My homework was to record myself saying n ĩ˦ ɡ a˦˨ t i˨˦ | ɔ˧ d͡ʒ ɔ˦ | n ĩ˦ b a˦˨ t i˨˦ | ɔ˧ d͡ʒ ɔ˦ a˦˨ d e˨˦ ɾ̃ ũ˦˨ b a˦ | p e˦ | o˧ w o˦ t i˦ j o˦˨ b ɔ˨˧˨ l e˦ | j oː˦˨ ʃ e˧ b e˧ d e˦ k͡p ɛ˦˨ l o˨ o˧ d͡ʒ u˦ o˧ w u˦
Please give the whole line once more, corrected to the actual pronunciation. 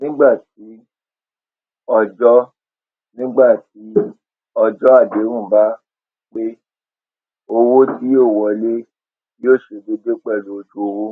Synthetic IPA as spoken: n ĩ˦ ɡ͡b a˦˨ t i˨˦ | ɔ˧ d͡ʒ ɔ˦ | n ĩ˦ ɡ͡b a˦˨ t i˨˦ | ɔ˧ d͡ʒ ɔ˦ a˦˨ d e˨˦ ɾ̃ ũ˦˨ b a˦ | k͡p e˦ | o˧ w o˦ t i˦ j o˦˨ w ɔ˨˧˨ l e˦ | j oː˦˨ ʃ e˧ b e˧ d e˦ k͡p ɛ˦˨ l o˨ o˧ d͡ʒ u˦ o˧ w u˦